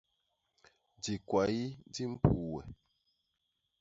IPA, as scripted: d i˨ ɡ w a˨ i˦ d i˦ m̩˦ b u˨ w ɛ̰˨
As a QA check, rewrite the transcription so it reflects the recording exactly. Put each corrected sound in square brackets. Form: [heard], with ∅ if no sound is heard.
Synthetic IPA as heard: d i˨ [k] w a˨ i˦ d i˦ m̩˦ [p] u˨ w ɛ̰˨